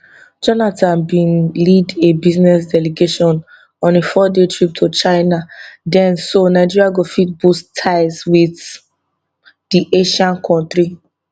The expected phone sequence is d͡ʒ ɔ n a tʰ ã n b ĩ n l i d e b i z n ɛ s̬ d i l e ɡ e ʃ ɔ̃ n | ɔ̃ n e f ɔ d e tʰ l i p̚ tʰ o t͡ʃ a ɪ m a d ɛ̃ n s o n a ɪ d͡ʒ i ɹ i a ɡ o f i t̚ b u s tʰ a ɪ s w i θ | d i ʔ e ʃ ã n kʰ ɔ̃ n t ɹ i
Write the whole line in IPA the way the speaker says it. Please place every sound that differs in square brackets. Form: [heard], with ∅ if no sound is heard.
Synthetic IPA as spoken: d͡ʒ ɔ n a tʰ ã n b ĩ n l i d e b i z n ɛ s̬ d [ɛ] l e ɡ e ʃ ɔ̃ n | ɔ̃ n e f ɔ d e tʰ [ɹ] i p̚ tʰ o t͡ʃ a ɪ [n] a d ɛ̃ n s o n a ɪ d͡ʒ i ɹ i a ɡ o f i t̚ b u s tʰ a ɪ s w i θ | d i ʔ e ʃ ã n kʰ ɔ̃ n t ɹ i